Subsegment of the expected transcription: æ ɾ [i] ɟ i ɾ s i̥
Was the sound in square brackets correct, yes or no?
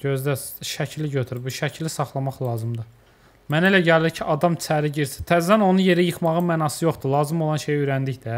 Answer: yes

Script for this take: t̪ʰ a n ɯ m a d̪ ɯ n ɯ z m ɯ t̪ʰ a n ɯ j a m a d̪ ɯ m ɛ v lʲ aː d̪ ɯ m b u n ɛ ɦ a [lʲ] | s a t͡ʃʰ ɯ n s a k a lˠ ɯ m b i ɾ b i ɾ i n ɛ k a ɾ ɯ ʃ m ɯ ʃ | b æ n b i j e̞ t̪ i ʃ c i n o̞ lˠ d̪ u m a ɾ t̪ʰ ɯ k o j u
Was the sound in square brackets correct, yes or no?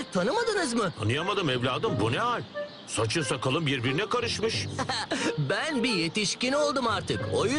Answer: yes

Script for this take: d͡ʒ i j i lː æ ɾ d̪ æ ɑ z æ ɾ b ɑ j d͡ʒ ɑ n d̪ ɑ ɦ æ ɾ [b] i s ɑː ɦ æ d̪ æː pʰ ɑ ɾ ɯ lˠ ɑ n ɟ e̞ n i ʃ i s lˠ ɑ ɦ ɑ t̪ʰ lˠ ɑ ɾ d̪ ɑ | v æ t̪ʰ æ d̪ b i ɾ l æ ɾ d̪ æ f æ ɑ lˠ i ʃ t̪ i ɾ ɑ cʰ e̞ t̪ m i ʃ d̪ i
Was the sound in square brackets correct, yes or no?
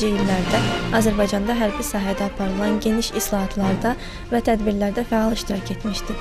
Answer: yes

